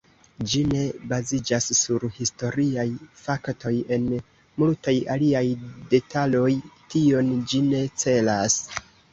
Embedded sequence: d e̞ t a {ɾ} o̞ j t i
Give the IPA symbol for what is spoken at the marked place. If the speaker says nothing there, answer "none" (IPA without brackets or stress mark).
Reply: l